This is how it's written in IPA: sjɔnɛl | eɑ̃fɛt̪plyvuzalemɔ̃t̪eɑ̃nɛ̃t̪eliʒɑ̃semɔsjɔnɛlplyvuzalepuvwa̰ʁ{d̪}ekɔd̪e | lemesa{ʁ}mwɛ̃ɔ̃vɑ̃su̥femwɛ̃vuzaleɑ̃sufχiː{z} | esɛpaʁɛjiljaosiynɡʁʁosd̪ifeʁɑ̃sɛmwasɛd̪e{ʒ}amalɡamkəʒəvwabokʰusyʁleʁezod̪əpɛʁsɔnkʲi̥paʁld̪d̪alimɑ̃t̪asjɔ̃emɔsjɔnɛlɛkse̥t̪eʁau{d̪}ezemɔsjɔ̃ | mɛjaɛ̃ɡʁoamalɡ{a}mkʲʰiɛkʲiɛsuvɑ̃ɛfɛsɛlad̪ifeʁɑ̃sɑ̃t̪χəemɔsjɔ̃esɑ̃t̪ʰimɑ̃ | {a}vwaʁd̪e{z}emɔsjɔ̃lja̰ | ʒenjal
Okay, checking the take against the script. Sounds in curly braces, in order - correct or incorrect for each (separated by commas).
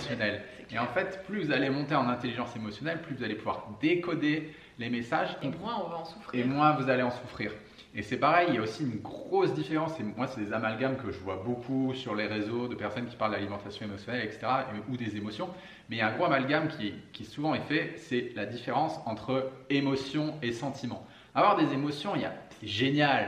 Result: correct, incorrect, incorrect, incorrect, correct, correct, correct, correct